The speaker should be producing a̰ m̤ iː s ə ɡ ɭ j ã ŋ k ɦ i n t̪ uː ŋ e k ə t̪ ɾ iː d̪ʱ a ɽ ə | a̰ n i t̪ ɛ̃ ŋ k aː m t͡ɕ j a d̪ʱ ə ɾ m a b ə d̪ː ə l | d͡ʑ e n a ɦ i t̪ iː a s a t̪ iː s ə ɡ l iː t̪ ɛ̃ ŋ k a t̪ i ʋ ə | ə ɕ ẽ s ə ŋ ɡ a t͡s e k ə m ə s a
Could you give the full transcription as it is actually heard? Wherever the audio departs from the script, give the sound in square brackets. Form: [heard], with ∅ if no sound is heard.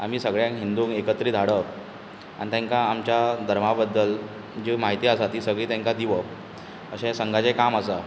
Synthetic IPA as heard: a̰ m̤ iː s ə ɡ ɭ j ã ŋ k ɦ i n [d̪] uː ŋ e k ə t̪ ɾ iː d̪ʱ a ɽ ə | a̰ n i t̪ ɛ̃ ŋ k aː m t͡ɕ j a d̪ʱ ə ɾ m a b ə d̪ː ə l | d͡ʑ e [m] a ɦ i t̪ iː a s a t̪ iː s ə ɡ [ɭ] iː t̪ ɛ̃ ŋ k a [d̪] i ʋ ə | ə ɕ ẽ s ə ŋ ɡ a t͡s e k [a] m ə s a